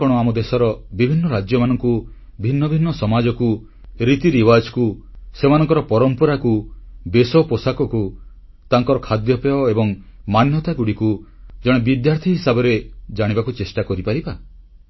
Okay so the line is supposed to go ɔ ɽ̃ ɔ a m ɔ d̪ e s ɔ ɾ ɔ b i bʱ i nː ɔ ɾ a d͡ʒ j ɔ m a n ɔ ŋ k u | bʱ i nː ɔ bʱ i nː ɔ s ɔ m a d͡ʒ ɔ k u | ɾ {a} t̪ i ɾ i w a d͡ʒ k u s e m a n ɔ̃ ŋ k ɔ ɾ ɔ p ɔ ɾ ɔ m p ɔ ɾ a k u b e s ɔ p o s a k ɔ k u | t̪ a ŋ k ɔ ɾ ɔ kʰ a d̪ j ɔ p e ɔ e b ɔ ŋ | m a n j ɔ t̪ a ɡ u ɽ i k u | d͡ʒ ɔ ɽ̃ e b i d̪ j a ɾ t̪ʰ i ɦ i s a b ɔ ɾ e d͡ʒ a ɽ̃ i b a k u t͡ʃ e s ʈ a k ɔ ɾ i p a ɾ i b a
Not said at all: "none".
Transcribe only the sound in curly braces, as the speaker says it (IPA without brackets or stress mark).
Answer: i